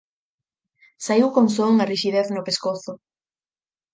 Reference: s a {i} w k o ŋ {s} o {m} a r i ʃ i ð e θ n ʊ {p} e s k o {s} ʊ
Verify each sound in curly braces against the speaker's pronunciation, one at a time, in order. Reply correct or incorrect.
correct, correct, incorrect: ŋ, correct, incorrect: θ

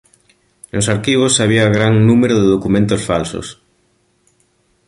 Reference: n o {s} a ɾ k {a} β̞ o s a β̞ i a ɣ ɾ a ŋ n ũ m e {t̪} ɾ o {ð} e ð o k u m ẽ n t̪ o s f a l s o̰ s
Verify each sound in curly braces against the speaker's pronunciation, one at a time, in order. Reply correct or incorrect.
correct, incorrect: i, incorrect: none, correct

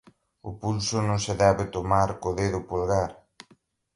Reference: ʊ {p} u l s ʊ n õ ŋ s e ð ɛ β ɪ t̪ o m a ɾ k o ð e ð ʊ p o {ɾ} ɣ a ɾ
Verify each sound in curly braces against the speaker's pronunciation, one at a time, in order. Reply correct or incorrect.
correct, incorrect: l

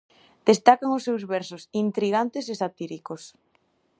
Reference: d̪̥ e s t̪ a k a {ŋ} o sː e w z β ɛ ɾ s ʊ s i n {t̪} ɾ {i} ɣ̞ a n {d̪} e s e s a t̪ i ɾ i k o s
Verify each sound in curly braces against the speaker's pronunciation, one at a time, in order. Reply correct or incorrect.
correct, correct, correct, incorrect: t̪

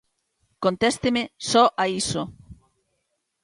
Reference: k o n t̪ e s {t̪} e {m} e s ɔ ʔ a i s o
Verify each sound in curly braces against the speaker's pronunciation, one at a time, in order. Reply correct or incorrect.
correct, correct

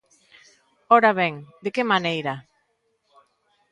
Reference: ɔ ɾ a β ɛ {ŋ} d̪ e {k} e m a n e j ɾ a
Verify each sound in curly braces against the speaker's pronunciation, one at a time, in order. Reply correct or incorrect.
correct, correct

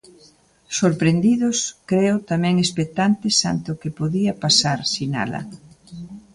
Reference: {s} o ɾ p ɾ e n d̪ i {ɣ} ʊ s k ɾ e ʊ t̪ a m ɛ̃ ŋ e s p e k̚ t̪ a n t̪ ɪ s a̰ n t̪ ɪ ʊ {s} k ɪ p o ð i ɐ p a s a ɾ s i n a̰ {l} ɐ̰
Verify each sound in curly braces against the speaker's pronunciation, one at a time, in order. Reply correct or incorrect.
correct, incorrect: ð, incorrect: none, correct

